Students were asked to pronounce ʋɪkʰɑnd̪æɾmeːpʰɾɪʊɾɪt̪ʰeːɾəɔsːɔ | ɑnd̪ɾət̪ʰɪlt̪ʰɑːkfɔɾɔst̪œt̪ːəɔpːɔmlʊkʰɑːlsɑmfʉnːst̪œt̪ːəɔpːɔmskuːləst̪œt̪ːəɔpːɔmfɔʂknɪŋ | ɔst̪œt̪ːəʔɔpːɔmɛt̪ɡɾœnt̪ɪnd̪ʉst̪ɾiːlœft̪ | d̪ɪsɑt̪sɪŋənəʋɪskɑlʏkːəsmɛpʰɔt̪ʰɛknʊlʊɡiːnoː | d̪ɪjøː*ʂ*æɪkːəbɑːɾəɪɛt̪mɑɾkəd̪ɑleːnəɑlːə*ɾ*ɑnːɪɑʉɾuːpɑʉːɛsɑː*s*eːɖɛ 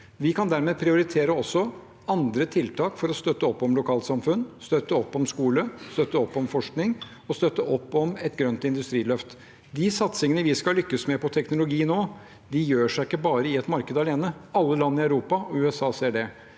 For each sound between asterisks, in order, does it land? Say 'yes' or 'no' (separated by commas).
yes, no, yes